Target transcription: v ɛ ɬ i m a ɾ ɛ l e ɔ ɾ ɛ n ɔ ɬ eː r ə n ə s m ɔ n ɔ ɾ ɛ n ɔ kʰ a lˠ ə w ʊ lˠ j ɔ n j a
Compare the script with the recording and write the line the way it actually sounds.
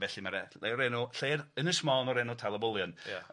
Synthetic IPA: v ɛ ɬ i m a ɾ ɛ l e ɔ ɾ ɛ n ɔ ɬ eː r ə n ə s m ɔ n ɔ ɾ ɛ n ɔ tʰ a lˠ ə b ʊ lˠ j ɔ n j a

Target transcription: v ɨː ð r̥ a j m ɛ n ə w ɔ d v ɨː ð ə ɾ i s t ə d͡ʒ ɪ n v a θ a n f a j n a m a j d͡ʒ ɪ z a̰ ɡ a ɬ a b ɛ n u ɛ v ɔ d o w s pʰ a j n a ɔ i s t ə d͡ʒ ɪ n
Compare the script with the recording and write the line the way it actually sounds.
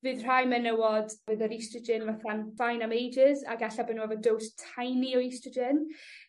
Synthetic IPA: v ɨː ð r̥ a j m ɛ n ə w ɔ d v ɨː ð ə ɾ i s t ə d͡ʒ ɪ n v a θ a n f a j n a m e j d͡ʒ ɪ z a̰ ɡ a ɬ a b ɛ n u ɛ v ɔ d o w s tʰ a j n i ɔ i s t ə d͡ʒ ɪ n

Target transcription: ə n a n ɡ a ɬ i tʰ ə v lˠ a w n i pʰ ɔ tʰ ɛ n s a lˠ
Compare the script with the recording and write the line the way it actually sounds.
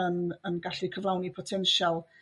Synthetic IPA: ə n ə n ɡ a ɬ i kʰ ə v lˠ a w n i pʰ ɔ tʰ ɛ n ʃ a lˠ

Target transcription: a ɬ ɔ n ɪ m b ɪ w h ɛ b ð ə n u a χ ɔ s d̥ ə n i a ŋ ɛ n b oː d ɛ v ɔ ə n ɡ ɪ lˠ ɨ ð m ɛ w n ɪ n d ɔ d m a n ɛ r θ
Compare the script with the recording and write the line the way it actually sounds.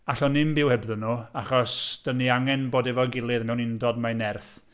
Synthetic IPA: a ɬ ɔ n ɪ m b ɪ w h ɛ b ð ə n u a χ ɔ s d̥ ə n i a ŋ ɛ n b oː d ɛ v ɔ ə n ɡ ɪ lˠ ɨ ð m ɛ w n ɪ n d ɔ d m a n ɛ r θ

